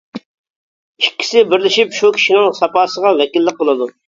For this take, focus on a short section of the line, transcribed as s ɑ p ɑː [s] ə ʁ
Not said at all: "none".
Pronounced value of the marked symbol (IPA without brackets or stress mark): s